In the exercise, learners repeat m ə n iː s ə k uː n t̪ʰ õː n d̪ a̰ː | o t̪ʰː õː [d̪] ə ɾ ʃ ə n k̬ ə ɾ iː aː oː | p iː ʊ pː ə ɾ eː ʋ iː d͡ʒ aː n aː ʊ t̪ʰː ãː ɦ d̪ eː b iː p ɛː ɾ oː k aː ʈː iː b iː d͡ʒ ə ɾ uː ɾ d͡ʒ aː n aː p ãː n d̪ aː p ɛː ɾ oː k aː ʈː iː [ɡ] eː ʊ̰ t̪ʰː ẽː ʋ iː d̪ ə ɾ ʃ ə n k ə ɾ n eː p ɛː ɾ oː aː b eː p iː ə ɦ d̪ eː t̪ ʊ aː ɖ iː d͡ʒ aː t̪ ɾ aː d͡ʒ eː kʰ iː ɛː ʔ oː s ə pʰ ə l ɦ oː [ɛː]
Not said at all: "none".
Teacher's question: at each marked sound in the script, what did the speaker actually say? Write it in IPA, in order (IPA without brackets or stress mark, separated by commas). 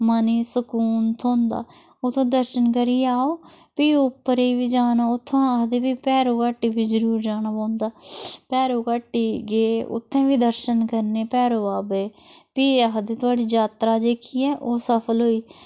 d̪, ɡ, iː